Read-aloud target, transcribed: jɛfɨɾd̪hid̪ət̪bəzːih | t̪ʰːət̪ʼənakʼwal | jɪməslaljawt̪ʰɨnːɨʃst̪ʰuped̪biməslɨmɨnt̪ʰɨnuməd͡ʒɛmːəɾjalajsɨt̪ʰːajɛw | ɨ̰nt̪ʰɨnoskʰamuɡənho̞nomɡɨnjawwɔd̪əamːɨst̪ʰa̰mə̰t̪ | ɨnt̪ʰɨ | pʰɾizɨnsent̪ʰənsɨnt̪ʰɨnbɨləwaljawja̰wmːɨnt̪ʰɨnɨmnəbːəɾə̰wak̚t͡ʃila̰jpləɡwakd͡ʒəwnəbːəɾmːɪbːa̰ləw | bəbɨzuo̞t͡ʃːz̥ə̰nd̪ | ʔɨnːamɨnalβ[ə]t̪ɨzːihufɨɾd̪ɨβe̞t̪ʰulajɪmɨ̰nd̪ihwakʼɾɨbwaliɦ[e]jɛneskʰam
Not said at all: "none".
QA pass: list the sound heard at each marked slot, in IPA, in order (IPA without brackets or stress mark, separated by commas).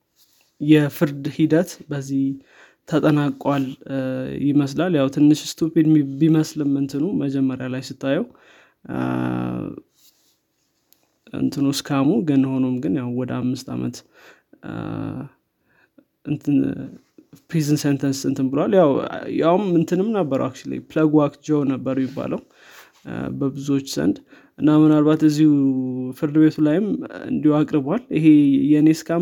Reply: a, e